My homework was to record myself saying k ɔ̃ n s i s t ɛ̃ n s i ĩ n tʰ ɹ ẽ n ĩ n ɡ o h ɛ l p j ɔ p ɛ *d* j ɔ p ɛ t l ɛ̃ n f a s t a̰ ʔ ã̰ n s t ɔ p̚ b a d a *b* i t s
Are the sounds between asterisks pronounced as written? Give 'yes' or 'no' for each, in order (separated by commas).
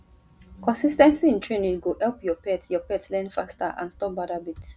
no, yes